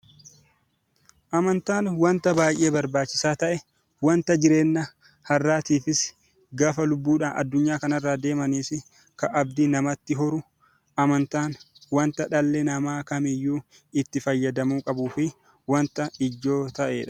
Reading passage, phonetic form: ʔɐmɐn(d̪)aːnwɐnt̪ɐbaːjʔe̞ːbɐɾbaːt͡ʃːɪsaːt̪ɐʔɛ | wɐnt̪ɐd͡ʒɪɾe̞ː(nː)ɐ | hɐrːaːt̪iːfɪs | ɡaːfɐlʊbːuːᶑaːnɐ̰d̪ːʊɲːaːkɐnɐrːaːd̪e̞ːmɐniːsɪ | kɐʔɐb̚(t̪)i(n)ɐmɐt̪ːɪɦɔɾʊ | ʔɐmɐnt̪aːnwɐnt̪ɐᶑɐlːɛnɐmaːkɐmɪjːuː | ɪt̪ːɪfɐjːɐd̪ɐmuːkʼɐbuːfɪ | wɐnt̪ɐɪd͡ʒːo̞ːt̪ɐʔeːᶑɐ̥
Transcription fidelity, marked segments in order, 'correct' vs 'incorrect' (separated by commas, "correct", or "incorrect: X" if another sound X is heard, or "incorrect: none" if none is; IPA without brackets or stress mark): incorrect: t̪, correct, incorrect: d̪, correct